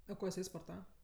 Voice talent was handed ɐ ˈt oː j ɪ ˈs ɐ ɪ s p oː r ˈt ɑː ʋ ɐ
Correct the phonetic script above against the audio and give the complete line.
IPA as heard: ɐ ˈk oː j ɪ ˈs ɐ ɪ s p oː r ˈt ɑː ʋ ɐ